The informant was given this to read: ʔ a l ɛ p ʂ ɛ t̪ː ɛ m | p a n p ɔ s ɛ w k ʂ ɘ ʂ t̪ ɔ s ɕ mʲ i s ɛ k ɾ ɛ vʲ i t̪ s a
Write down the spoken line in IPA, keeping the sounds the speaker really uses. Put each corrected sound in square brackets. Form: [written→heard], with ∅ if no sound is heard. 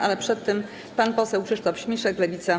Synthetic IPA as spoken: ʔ a l ɛ p ʂ ɛ t̪ː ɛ m | p a n p ɔ s ɛ w k ʂ ɘ ʂ t̪ ɔ [s→f] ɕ mʲ i [s→ʂ] ɛ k [ɾ→l] ɛ vʲ i t̪ s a